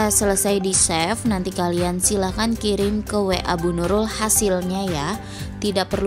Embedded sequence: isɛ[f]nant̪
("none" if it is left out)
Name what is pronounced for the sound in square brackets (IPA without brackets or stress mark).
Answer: f